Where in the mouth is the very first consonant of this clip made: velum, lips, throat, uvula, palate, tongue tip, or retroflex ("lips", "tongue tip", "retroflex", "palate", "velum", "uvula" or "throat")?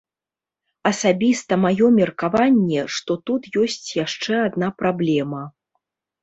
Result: tongue tip